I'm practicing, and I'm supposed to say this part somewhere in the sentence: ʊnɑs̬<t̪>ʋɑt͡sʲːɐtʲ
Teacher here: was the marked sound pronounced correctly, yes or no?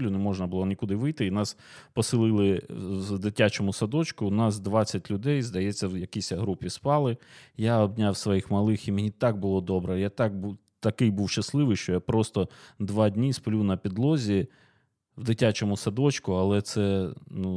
no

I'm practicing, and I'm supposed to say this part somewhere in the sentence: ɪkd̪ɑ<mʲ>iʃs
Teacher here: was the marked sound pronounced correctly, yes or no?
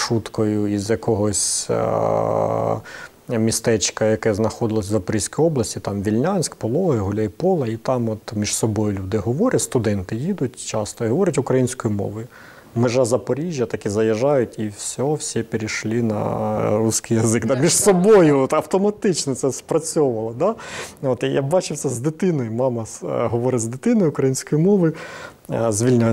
yes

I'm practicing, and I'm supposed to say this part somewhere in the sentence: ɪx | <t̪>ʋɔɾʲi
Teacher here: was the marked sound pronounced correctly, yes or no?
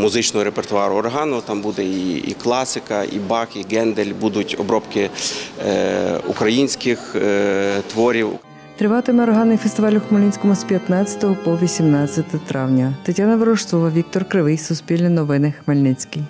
yes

